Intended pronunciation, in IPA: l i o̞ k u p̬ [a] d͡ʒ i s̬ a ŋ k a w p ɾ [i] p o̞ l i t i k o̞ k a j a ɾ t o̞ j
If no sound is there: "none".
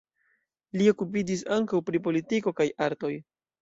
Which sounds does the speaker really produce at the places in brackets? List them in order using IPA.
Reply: i, i

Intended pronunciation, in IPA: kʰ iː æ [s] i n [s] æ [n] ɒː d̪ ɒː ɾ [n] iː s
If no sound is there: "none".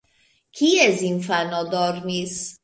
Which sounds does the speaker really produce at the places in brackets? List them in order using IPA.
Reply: z, f, n, n

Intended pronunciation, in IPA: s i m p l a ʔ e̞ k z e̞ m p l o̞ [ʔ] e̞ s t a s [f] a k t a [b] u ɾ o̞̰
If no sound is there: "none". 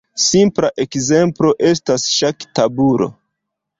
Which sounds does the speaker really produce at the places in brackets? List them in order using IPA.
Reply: ʔ, ʃ, b

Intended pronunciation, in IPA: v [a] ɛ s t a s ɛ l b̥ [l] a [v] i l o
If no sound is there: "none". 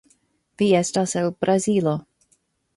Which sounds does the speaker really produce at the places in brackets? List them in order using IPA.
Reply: i, ɾ, z

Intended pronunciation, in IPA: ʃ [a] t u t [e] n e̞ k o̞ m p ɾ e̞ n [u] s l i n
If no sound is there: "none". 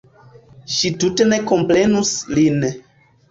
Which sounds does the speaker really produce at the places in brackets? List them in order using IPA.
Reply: i, e, u

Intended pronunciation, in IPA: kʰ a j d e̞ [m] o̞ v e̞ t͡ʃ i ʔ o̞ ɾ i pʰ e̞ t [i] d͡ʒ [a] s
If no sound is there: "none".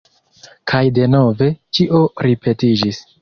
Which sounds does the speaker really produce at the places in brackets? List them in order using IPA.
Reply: n, i, i

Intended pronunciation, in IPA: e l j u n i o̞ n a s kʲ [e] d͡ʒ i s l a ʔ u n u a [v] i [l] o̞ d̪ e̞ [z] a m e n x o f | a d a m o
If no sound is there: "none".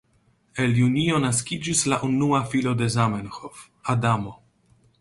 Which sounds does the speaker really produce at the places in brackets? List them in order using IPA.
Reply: i, f, l, z

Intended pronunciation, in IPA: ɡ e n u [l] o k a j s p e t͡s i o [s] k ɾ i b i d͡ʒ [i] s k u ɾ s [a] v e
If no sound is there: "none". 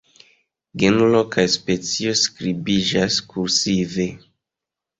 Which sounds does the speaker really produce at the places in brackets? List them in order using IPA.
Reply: l, s, a, i

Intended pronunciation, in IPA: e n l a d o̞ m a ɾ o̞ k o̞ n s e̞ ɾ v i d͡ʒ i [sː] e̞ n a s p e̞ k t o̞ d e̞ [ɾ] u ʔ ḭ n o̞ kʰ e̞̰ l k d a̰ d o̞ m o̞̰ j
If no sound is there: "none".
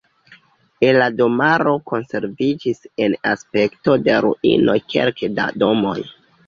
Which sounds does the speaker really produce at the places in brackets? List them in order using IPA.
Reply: s, ɾ

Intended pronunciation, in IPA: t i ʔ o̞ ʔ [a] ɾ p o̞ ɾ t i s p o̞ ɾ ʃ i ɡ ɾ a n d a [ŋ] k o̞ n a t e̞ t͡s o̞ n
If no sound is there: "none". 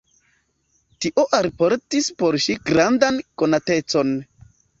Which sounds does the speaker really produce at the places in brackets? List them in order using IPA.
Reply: a, n

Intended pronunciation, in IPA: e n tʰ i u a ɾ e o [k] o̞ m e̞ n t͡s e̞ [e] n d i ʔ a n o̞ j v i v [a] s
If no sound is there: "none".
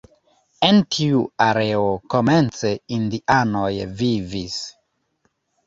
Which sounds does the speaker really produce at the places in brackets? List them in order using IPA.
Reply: k, i, i

